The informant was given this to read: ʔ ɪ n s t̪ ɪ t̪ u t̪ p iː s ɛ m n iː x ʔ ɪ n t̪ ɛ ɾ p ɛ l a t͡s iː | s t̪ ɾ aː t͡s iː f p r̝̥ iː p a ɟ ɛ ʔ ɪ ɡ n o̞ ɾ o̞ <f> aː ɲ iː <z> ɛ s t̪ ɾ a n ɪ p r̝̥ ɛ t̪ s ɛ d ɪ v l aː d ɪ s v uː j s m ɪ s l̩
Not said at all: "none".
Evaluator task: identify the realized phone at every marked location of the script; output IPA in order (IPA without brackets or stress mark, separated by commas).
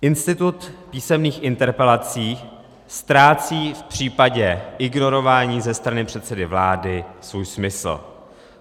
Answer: v, z